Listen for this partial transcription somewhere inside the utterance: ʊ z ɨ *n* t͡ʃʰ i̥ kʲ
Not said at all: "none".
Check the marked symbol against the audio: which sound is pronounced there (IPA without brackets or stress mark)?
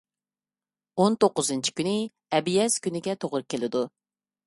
n